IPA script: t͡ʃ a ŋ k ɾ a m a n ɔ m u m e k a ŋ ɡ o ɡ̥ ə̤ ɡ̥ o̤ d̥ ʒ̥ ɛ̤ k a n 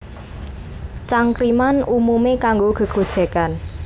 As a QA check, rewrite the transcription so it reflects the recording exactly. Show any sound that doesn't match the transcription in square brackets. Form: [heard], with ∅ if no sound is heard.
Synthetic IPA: t͡ʃ a ŋ k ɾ [i] m a n [u] m u m e k a ŋ ɡ o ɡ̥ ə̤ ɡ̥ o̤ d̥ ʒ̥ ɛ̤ k a n